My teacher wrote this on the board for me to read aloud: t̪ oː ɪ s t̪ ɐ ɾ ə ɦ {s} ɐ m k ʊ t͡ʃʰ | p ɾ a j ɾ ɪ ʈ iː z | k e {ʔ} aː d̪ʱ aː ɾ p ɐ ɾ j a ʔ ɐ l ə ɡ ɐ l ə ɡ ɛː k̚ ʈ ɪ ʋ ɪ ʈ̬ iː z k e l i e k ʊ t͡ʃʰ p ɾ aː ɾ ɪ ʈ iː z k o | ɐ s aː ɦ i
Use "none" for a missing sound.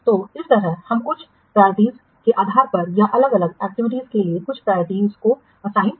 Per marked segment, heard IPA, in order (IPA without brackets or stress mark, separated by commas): h, ʔ